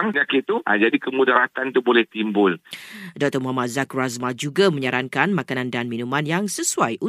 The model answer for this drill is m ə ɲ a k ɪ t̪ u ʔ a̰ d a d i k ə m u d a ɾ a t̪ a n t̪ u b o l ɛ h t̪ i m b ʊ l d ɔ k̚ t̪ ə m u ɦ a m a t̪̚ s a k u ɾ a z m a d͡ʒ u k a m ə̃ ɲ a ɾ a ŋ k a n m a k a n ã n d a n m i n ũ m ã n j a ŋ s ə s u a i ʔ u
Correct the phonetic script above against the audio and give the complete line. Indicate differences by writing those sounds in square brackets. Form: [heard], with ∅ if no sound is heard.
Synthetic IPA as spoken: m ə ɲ a k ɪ t̪ u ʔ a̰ [d͡ʒ] a d i k ə m u d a ɾ a t̪ a n t̪ u b o l ɛ h t̪ i m b ʊ l d ɔ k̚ t̪ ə m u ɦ a m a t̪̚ [z] a k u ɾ a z m a d͡ʒ u [ɡ] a m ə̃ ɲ a ɾ a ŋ k a n m a k a n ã n d a n m i n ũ m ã n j a ŋ s ə s u a [j] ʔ u